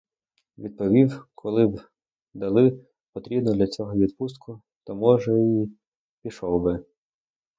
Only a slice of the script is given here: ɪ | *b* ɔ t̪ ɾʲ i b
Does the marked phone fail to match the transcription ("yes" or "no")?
yes